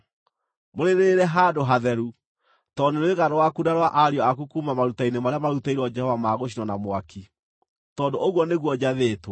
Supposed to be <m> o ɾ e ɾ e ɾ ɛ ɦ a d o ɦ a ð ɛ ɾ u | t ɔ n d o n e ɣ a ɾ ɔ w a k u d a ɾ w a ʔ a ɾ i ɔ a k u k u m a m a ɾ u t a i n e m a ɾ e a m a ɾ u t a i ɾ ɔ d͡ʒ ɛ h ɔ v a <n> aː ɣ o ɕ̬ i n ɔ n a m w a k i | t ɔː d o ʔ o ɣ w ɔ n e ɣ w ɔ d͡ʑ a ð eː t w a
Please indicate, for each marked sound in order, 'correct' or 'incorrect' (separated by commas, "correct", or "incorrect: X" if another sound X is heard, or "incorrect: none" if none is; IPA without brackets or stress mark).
correct, incorrect: m